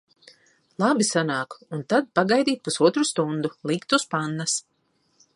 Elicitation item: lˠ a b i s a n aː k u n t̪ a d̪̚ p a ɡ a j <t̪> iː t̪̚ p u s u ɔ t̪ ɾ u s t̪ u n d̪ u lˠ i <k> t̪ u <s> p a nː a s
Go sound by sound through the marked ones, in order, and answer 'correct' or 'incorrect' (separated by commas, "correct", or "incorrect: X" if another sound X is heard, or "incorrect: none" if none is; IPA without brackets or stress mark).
incorrect: d̪, correct, correct